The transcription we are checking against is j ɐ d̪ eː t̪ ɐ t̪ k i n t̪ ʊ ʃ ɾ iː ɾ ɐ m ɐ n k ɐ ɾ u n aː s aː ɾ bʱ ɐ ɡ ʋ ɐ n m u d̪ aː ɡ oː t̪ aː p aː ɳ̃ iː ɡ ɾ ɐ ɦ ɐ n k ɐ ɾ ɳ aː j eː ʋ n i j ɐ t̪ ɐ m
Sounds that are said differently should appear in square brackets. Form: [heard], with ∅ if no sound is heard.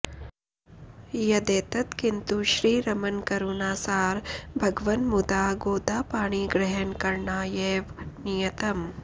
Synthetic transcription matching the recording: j ɐ d̪ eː t̪ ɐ t̪ k i n t̪ [u] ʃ ɾ iː ɾ ɐ m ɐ n k ɐ ɾ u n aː s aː ɾ bʱ ɐ ɡ ʋ ɐ n m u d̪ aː ɡ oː [d̪] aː p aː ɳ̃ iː ɡ ɾ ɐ ɦ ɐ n k ɐ ɾ ɳ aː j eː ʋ n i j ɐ t̪ ɐ m

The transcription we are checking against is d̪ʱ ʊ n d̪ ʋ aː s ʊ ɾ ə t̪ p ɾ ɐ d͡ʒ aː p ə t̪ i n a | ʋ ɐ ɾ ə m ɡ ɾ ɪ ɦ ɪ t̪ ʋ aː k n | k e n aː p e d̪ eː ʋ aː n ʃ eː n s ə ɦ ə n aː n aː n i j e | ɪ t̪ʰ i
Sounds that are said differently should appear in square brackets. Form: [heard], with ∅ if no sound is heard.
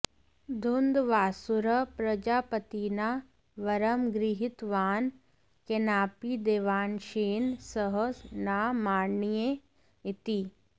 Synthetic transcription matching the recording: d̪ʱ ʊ n d̪ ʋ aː s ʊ ɾ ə [∅] p ɾ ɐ d͡ʒ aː p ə t̪ i n a | ʋ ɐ ɾ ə m ɡ ɾ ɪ ɦ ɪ t̪ ʋ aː [∅] n | k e n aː p [i] d̪ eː ʋ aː n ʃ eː n s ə ɦ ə n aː [m] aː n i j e | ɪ [t̪] i

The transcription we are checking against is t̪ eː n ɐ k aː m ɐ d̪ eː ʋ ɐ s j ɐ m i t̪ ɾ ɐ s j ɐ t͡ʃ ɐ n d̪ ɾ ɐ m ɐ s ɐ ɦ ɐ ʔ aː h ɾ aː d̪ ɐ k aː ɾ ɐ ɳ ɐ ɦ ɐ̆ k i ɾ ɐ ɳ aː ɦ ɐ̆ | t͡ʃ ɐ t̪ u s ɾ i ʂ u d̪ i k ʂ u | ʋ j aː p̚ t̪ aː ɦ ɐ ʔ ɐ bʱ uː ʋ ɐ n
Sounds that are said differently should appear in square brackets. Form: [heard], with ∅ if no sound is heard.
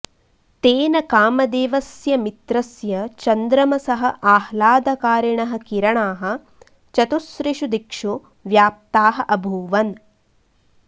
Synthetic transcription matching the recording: t̪ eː n ɐ k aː m ɐ d̪ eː ʋ ɐ s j ɐ m i t̪ ɾ ɐ s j ɐ t͡ʃ ɐ n d̪ ɾ ɐ m ɐ s ɐ ɦ ɐ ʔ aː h [l] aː d̪ ɐ k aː ɾ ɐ ɳ ɐ ɦ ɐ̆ k i ɾ ɐ ɳ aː ɦ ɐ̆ | t͡ʃ ɐ t̪ u s ɾ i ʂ u d̪ i k ʂ u | ʋ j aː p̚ t̪ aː ɦ ɐ ʔ ɐ bʱ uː ʋ ɐ n

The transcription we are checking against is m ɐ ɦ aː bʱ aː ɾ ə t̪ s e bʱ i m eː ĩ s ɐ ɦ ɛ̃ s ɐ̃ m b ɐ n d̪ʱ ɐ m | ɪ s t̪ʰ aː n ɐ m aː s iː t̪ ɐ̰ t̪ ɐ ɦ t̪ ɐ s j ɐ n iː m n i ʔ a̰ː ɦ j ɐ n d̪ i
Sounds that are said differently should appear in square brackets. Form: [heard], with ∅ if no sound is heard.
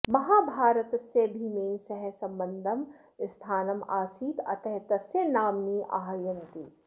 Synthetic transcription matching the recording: m ɐ ɦ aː bʱ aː ɾ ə t̪ s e bʱ i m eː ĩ s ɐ ɦ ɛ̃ s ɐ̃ m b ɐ n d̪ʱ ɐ m | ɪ s t̪ʰ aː n ɐ m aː s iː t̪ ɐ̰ t̪ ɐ ɦ t̪ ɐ s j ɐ n [aː] m n i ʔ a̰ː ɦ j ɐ n [t̪] i

